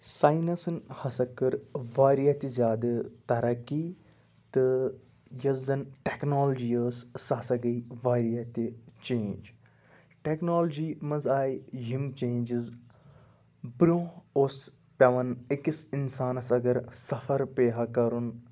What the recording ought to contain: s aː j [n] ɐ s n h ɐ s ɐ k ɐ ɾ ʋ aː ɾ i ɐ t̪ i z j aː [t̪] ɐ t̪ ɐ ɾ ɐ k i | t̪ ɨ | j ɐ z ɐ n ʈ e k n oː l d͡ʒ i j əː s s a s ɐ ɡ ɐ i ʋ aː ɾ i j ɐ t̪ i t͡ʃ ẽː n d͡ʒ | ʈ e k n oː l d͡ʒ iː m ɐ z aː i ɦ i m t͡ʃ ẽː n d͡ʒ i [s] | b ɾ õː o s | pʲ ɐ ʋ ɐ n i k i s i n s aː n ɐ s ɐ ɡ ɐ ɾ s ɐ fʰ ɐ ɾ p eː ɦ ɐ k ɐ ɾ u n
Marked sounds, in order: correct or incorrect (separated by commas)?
correct, incorrect, incorrect